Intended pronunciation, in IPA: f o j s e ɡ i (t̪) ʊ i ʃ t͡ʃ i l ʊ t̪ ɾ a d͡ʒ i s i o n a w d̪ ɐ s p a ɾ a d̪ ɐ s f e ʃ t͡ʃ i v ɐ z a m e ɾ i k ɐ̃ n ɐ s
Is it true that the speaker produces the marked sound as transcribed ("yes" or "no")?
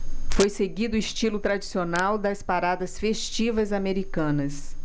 no